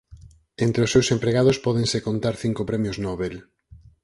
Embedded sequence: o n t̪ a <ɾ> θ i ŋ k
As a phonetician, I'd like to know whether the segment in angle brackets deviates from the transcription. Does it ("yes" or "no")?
no